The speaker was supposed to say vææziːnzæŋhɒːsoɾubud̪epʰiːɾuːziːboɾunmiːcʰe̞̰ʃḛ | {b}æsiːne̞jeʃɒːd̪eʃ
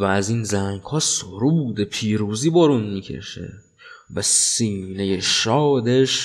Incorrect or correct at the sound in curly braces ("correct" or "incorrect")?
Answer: incorrect